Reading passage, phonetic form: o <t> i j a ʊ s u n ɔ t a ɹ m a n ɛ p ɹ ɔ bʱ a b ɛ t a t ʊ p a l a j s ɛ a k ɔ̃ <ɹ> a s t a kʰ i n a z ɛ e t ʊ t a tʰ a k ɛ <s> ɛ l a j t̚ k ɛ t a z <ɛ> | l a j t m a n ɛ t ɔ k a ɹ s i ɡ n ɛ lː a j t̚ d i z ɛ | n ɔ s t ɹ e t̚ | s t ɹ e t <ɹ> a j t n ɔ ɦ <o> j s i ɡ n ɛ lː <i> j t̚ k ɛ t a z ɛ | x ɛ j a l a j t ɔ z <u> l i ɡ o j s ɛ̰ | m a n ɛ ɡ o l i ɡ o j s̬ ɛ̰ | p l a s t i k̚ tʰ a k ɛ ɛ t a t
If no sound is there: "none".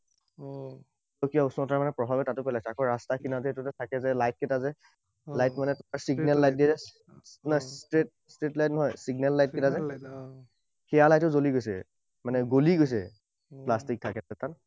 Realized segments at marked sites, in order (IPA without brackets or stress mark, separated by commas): k, ɹ, z, ɛ, l, ɔ, a, o